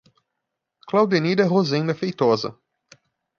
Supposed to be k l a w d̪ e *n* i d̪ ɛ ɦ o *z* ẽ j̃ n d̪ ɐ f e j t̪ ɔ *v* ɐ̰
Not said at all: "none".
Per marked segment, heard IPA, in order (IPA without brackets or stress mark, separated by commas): n, z, z